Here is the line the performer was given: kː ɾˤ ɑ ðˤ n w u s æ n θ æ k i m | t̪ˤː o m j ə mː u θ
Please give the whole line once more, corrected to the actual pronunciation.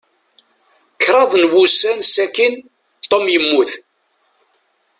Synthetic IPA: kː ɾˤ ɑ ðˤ n w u s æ n s æ k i n | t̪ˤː o m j ə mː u θ